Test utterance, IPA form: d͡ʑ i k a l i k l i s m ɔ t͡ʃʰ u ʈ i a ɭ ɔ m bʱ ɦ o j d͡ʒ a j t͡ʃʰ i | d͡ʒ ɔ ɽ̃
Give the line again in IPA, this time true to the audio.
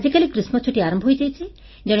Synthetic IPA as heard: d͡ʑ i k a l i k ɾ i s m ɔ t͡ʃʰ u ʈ i a ɾ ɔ m bʱ ɦ o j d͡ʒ a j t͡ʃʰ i | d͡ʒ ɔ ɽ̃

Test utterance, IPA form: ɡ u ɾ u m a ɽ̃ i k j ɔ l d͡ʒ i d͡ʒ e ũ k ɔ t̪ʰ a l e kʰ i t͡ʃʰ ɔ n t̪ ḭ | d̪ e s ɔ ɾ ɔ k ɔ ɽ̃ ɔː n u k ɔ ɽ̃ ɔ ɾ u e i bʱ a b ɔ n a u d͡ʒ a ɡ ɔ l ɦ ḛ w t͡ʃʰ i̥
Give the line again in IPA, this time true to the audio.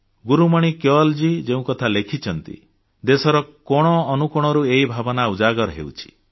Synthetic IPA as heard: ɡ u ɾ u m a ɽ̃ i k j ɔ l d͡ʒ i d͡ʒ e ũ k ɔ t̪ʰ a l e kʰ i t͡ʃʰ ɔ n t̪ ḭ | d̪ e s ɔ ɾ ɔ k ɔ ɽ̃ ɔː n u k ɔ ɽ̃ ɔ ɾ u e i bʱ a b ɔ n a u d͡ʒ a ɡ ɔ ɾ ɦ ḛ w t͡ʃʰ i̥

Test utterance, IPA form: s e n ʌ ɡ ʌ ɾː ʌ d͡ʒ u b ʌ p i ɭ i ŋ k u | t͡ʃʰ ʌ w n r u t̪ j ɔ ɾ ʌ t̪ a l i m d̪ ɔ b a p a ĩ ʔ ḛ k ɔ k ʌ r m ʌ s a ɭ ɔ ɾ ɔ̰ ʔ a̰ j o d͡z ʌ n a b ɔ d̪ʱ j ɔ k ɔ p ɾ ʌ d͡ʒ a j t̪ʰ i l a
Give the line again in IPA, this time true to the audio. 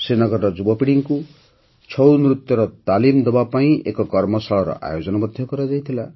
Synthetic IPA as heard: s e n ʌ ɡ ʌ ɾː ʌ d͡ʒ u b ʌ p i ɽ i ŋ k u | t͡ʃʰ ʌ w n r u t̪ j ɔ ɾ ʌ t̪ a l i m d̪ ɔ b a p a ĩ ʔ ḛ k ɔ k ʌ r m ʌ s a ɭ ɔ ɾ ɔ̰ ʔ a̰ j o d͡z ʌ n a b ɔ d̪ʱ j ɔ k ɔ ɾ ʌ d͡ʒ a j t̪ʰ i l a

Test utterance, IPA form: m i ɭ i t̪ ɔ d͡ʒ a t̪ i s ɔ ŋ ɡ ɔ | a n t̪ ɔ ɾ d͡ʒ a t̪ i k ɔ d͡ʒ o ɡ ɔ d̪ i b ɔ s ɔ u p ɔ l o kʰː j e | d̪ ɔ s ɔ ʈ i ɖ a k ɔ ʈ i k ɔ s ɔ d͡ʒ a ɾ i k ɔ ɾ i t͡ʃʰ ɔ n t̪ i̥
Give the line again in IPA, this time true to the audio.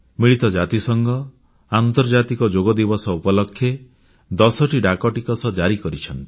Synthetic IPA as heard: m i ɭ i t̪ ɔ d͡ʒ a t̪ i s ɔ ŋ ɡ ɔ | a n t̪ ɔ ɾ d͡ʒ a t̪ i k ɔ d͡ʒ o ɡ ɔ d̪ i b ɔ s ɔ u p ɔ l ɔ kʰː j e | d̪ ɔ s ɔ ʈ i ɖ a k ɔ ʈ i k ɔ s ɔ d͡ʒ a ɾ i k ɔ ɾ i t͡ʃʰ ɔ n t̪ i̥

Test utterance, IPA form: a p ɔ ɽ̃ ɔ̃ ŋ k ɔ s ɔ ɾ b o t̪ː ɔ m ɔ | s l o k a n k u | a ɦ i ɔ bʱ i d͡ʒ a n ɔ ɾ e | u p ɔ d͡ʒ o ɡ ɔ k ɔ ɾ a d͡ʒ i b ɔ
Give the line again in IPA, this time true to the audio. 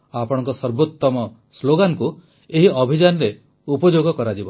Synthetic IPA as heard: a p ɔ ɽ̃ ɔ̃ ŋ k ɔ s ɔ ɾ b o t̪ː ɔ m ɔ | s l o ɡ a n k u | e ɦ i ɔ bʱ i d͡ʒ a n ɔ ɾ e | u p ɔ d͡ʒ o ɡ ɔ k ɔ ɾ a d͡ʒ i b ɔ

